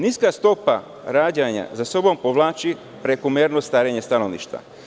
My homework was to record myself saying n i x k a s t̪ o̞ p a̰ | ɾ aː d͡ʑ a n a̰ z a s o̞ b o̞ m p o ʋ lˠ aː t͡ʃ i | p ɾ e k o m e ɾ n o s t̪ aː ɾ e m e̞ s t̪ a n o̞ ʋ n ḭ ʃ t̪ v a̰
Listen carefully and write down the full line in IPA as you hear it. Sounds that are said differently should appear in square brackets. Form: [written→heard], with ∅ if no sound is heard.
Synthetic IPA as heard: n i [x→s] k a s t̪ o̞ p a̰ | ɾ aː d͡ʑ a [n→ɲ] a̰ z a s o̞ b o̞ m p o ʋ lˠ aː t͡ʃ i | p ɾ e k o m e ɾ n o s t̪ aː ɾ e [m→ɲ] e̞ s t̪ a n o̞ ʋ n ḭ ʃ t̪ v a̰